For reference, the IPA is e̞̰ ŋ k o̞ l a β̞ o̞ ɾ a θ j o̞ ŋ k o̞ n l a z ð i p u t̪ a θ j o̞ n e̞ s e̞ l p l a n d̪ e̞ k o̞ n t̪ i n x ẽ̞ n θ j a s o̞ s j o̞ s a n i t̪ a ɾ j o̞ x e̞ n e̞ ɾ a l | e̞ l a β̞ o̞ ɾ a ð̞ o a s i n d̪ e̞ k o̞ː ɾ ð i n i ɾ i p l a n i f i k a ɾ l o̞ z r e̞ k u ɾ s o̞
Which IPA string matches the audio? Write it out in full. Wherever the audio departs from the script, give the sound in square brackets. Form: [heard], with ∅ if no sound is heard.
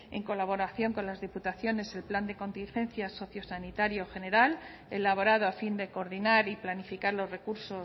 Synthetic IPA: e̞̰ ŋ k o̞ l a β̞ o̞ ɾ a θ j o̞ ŋ k o̞ n l a z ð i p u t̪ a θ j o̞ n e̞ s e̞ l p l a n d̪ e̞ k o̞ n t̪ i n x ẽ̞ n θ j a s o̞ [θ] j o̞ s a n i t̪ a ɾ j o̞ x e̞ n e̞ ɾ a l | e̞ l a β̞ o̞ ɾ a ð̞ o a [f] i n d̪ e̞ k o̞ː ɾ ð i n [a] ɾ i p l a n i f i k a ɾ l o̞ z r e̞ k u ɾ s o̞